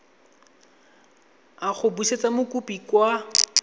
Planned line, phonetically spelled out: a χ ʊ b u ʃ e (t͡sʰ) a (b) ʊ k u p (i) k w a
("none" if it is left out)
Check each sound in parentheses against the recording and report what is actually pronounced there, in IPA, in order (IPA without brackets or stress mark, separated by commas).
t͡s, m, i